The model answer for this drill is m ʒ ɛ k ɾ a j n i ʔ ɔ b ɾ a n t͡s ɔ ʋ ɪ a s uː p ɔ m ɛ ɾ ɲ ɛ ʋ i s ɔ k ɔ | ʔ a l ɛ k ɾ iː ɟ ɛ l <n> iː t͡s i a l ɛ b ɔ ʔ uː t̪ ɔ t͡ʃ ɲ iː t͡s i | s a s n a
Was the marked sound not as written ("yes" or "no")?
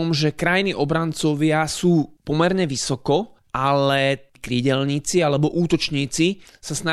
yes